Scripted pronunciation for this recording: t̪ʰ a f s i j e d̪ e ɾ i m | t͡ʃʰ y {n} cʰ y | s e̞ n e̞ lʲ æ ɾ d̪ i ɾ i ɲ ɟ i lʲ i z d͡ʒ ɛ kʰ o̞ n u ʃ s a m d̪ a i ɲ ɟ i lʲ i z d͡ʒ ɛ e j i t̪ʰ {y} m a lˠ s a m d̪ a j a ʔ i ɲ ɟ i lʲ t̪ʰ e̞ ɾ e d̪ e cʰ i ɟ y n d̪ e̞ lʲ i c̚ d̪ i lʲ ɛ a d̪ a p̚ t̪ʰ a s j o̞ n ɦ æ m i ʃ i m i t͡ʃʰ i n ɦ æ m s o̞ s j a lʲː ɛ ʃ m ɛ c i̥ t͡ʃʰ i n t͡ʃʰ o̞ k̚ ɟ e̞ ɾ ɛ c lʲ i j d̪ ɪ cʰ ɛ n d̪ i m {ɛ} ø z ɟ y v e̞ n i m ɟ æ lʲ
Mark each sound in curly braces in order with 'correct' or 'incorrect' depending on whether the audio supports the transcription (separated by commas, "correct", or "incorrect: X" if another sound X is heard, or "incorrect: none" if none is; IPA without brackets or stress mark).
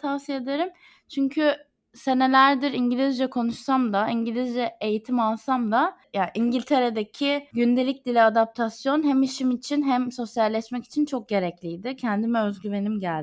incorrect: ɲ, incorrect: i, correct